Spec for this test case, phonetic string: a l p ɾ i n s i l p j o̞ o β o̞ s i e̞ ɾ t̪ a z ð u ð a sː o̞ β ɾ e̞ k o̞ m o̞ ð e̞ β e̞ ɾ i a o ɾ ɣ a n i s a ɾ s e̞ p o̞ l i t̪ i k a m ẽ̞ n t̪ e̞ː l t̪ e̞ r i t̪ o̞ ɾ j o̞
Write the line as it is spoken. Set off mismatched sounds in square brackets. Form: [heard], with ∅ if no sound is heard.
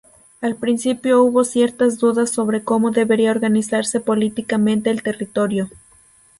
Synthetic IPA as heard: a l p ɾ i n s i [∅] p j o̞ [u] β o̞ s [j] e̞ ɾ t̪ a z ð u ð a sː o̞ β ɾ e̞ k o̞ m o̞ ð e̞ β e̞ ɾ i a o ɾ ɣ a n i s a ɾ s e̞ p o̞ l i t̪ i k a m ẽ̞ n t̪ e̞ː l t̪ e̞ r i t̪ o̞ ɾ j o̞